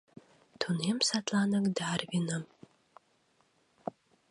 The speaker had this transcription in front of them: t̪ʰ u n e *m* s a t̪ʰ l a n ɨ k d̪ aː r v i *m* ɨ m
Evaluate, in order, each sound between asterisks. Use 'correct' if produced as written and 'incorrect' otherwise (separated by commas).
correct, incorrect